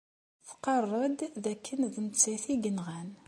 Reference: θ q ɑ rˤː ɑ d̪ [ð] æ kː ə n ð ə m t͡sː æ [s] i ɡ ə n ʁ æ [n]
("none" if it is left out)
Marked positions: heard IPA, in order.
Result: ð, θ, n

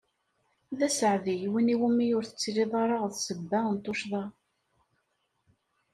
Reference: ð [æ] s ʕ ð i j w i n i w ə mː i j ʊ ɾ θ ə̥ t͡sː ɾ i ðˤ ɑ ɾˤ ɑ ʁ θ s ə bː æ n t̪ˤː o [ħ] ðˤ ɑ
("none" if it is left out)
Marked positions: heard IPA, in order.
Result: æ, ʃ

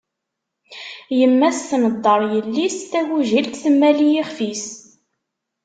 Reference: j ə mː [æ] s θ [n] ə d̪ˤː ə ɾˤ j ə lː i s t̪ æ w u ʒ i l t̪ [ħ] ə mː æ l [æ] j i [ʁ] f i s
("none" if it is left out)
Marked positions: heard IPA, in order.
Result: æ, n, θ, i, χ

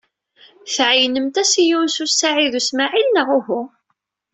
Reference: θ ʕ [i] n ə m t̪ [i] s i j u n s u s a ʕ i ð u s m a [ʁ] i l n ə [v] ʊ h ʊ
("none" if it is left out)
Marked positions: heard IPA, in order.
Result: j, æ, ʕ, ʁ

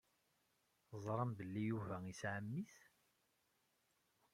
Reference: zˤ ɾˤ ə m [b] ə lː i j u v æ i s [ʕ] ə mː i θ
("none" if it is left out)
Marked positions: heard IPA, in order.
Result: b, ʕ

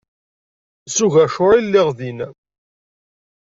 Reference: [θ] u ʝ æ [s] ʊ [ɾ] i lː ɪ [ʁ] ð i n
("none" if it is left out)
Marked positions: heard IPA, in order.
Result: s, ʃ, ɾ, ʁ

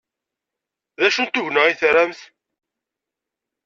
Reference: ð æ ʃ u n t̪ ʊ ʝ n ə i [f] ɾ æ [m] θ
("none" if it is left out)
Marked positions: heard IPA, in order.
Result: θ, m

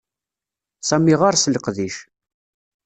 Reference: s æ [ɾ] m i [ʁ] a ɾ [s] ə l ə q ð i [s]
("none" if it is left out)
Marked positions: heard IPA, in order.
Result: none, ʁ, s, ʃ

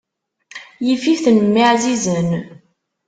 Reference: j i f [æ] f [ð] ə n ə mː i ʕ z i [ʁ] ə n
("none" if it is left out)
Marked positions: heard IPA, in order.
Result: i, θ, z

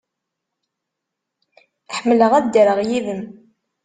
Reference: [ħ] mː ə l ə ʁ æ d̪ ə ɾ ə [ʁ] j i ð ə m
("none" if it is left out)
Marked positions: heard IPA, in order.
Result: ħ, ʁ

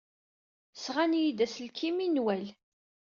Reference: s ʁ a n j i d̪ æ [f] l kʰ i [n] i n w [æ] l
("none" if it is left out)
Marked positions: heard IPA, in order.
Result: s, m, æ

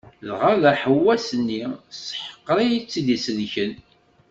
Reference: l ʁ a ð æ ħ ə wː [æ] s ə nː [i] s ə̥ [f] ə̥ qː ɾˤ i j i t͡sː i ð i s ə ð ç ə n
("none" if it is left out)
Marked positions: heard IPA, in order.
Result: æ, i, ħ

